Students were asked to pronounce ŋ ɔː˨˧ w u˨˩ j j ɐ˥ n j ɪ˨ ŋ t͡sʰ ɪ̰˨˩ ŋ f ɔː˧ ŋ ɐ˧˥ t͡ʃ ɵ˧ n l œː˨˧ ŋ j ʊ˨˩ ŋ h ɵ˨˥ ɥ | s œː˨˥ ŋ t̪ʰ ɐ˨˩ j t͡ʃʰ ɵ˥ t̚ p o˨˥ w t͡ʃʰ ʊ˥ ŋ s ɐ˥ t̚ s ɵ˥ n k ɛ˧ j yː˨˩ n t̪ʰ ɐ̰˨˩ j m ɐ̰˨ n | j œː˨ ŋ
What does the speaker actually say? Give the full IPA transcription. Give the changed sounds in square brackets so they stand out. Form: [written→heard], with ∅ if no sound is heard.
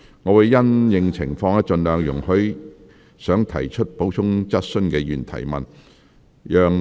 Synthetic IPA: ŋ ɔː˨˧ w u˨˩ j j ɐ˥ n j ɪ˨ ŋ t͡sʰ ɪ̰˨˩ ŋ f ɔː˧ ŋ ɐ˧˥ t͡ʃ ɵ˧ n l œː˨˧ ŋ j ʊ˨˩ ŋ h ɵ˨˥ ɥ | s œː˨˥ ŋ t̪ʰ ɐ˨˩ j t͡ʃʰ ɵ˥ t̚ p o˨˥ w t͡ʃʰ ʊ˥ ŋ [s→t͡s] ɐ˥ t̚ s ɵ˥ n k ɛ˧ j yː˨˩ n t̪ʰ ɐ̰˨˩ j m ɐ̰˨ n | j œː˨ ŋ